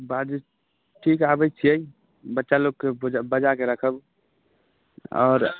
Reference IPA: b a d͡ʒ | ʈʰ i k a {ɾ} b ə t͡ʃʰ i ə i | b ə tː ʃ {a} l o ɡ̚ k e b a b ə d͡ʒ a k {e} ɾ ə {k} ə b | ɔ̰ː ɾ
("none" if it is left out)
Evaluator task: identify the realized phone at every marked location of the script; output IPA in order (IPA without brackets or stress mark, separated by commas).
none, a, e, kʰ